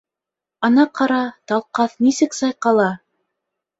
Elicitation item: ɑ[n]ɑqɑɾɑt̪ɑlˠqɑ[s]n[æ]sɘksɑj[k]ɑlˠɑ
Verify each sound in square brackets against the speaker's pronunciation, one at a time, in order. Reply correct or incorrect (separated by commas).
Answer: correct, incorrect, incorrect, incorrect